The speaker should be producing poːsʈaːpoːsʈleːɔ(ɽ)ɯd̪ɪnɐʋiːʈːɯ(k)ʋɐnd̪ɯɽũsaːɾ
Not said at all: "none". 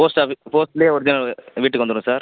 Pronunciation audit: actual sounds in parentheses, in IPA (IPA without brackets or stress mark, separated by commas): ɾ, k